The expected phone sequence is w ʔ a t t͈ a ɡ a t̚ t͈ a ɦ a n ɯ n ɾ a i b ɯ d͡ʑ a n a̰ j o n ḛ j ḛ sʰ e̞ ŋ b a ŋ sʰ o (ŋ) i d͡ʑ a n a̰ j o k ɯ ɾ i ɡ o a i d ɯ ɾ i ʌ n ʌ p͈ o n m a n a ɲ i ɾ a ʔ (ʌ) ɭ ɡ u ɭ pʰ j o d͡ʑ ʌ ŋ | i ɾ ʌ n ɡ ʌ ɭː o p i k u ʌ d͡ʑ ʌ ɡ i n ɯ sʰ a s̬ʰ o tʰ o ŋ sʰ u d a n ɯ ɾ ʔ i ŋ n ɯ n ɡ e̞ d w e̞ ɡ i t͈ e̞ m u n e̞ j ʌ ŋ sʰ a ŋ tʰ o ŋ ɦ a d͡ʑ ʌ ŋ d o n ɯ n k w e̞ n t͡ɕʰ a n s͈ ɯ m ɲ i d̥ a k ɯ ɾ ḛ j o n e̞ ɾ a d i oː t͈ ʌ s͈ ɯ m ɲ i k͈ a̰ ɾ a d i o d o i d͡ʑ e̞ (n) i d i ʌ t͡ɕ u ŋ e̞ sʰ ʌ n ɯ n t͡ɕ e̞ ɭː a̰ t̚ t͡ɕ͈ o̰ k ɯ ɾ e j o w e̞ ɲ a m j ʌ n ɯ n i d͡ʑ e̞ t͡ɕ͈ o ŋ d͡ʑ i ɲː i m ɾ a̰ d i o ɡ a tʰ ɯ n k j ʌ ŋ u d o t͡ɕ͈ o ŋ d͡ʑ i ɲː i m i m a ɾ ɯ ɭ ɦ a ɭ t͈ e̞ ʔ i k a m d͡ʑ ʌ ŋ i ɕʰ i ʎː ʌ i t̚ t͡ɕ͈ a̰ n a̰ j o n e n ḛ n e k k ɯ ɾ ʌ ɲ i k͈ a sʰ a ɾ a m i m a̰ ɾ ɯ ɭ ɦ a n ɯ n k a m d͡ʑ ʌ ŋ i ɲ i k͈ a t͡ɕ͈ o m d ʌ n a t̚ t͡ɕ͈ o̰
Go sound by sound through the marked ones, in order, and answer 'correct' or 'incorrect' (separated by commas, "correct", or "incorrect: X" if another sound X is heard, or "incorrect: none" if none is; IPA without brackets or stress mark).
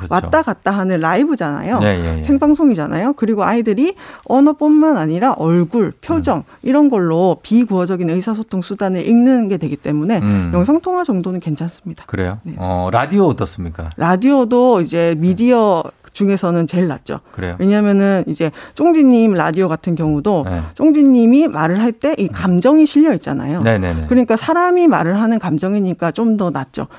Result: correct, correct, incorrect: m